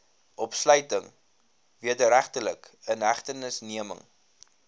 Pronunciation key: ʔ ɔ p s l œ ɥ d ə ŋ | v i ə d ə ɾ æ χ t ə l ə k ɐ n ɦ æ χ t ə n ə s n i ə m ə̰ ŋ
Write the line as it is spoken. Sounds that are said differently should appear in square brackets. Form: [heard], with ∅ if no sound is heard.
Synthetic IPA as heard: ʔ ɔ p s l œ ɥ [t] ə ŋ | v i ə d ə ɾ æ χ t ə l ə k [ə] n ɦ æ χ t ə n ə s n i ə m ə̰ ŋ